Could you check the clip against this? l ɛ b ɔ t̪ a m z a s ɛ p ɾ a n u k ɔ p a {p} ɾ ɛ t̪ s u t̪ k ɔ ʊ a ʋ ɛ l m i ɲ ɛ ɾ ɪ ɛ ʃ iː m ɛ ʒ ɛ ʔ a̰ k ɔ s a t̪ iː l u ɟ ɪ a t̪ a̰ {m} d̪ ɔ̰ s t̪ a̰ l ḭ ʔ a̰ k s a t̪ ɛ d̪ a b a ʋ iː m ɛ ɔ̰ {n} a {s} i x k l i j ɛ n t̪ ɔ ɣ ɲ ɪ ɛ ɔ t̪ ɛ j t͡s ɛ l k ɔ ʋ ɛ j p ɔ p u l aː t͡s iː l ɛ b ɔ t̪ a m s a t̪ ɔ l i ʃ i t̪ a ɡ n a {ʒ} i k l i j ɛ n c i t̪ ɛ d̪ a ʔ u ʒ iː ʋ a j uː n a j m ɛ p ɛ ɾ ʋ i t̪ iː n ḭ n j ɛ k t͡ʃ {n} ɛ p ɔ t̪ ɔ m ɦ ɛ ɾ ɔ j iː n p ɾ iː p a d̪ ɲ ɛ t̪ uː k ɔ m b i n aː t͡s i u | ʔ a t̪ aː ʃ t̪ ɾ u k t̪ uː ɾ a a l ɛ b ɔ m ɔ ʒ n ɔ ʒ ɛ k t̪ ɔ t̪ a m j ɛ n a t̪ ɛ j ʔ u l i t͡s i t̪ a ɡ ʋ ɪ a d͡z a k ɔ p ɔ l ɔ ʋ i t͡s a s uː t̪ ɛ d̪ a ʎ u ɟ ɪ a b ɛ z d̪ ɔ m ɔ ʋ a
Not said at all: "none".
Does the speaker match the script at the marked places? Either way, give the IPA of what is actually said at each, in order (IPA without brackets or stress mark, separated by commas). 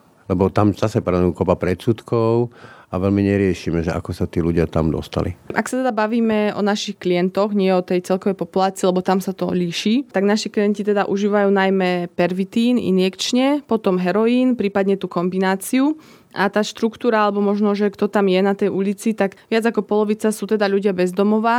p, m, n, ʃ, ʃ, ɲ